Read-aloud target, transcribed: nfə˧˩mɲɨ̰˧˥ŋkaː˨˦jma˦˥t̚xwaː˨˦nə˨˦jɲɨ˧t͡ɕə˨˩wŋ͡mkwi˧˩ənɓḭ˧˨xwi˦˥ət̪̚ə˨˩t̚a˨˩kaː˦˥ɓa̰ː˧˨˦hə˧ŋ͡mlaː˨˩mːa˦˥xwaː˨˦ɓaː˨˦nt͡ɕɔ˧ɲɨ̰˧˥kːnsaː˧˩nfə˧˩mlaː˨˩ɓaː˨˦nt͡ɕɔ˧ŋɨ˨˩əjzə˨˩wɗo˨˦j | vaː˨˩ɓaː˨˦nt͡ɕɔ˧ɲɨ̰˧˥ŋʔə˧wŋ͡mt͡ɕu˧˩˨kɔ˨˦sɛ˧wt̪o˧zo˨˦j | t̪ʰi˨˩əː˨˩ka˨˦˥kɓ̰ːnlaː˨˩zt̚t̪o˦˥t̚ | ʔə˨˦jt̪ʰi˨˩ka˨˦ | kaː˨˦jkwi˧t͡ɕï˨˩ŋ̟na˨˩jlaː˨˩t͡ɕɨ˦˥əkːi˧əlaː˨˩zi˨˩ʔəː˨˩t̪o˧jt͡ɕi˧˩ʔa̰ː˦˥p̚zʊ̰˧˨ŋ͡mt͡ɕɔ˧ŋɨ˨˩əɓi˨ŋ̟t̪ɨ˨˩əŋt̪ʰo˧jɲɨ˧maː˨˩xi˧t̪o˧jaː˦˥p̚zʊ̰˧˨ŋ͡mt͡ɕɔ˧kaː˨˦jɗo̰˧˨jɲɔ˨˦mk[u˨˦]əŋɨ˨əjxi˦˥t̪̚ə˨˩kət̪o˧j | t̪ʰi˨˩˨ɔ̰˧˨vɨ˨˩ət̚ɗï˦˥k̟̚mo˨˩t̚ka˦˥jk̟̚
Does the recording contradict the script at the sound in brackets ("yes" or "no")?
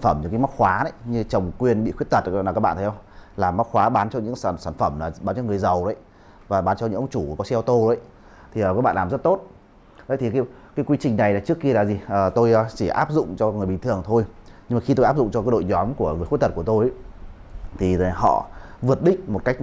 yes